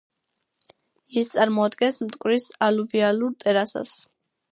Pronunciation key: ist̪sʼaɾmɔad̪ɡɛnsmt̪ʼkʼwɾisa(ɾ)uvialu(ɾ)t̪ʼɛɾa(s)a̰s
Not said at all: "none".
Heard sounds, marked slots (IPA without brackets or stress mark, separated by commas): l, ɾ, s